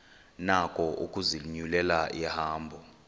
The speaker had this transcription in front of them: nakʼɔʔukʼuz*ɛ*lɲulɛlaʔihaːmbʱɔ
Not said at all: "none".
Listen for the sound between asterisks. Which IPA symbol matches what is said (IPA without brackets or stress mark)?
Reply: i